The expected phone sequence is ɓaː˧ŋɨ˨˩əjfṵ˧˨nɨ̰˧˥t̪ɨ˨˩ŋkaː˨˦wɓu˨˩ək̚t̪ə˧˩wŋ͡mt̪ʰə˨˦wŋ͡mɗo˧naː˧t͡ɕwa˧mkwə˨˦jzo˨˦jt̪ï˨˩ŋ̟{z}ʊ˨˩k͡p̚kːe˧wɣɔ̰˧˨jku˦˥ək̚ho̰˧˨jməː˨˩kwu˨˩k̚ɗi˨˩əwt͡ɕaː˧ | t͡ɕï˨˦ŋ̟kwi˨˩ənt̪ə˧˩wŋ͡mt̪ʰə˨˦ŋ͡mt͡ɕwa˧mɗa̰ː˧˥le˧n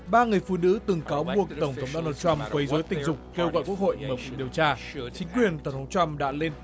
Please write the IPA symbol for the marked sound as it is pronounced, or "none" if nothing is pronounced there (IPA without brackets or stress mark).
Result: z